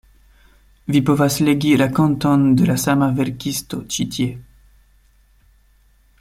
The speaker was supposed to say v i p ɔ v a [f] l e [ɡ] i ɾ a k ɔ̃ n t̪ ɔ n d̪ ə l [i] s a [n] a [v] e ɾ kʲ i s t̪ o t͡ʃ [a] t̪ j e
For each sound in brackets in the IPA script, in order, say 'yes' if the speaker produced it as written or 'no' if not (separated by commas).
no, yes, no, no, yes, no